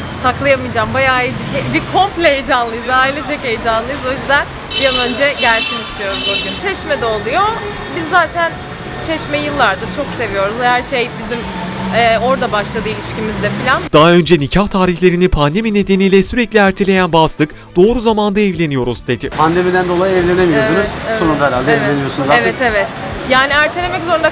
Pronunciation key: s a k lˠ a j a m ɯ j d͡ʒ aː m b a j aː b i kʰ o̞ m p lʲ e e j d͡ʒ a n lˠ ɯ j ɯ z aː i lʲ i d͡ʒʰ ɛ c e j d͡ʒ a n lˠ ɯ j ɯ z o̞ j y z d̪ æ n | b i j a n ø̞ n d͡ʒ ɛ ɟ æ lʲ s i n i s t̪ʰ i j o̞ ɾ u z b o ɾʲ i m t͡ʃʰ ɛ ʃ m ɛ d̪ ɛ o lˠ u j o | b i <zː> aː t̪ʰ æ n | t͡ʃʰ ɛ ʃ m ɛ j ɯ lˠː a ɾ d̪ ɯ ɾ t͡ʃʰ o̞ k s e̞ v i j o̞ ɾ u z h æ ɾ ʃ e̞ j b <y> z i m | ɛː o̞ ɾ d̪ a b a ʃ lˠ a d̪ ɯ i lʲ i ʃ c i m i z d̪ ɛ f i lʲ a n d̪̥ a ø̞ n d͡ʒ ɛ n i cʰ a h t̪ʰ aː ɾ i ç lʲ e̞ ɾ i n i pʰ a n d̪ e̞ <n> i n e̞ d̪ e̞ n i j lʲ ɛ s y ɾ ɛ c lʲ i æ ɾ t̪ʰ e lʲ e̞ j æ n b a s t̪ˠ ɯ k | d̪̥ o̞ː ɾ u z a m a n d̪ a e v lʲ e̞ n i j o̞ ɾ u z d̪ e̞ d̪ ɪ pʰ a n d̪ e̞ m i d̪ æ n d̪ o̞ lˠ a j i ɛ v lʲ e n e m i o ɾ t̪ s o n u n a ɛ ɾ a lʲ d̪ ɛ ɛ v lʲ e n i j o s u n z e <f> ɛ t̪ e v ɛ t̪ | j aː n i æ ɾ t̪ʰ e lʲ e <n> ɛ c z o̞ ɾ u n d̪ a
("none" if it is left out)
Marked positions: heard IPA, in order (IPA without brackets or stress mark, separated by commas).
zː, i, m, v, m